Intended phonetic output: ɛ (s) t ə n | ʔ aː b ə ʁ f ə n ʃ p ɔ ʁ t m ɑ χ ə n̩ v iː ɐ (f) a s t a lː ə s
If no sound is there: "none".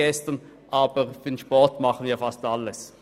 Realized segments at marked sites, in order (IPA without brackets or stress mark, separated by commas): s, f